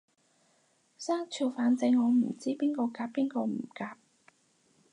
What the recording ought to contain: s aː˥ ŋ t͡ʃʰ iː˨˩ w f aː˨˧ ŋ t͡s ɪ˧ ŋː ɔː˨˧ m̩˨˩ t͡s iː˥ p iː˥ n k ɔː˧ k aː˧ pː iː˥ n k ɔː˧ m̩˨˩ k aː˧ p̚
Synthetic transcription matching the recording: s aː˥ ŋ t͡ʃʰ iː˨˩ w f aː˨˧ n t͡s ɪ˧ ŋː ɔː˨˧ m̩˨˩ t͡s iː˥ p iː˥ n k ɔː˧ k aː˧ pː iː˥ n k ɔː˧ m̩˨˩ k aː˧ p̚